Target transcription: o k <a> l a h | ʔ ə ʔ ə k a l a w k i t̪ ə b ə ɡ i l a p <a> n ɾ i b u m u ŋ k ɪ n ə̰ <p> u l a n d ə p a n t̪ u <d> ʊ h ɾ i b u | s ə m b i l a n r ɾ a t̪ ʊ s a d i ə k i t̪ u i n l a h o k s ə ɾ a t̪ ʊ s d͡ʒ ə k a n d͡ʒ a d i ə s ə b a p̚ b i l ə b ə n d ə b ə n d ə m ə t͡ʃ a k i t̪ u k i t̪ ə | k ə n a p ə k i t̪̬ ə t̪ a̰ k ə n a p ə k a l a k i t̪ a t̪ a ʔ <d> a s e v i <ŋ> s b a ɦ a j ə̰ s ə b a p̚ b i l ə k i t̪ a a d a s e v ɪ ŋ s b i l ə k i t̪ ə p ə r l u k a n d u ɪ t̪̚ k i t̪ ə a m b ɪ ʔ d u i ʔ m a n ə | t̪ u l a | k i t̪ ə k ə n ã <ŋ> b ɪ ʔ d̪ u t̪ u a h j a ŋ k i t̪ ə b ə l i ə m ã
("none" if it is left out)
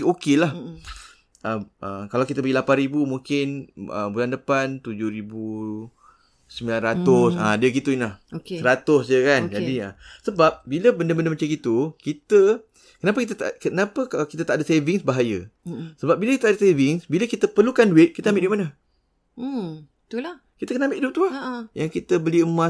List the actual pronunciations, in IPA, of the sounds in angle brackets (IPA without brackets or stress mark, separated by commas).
e, a, b, d͡ʒ, d, ŋ, m